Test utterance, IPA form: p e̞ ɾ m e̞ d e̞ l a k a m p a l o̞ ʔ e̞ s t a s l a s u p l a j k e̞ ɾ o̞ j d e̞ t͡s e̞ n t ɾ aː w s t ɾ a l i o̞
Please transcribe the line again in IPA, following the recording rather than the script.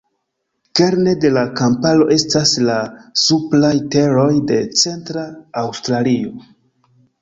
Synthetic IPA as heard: k e̞ ɾ n e̞ d e̞ l a k a m p a l o̞ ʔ e̞ s t a s l a s u p l a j t e̞ ɾ o̞ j d e̞ t͡s e̞ n t ɾ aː w s t ɾ a l i o̞